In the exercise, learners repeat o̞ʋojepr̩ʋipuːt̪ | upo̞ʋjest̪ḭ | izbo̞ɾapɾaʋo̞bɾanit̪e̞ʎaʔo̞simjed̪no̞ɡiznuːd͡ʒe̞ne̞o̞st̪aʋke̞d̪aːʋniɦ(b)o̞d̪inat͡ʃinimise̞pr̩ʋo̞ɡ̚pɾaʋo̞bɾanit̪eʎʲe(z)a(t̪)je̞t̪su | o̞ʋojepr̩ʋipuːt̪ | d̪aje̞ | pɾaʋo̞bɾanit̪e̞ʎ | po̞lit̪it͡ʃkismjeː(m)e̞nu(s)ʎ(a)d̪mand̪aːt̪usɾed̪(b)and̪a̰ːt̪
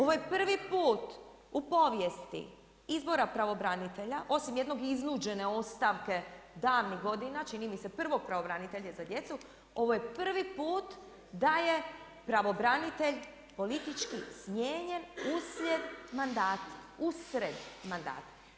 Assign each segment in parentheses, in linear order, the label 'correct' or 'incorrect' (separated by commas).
incorrect, correct, incorrect, incorrect, correct, incorrect, incorrect